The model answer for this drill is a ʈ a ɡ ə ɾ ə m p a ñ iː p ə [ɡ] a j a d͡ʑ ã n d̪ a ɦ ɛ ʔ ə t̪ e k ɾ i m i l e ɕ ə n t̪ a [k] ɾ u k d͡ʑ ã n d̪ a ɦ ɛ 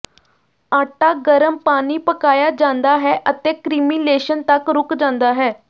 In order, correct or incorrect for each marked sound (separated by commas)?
incorrect, correct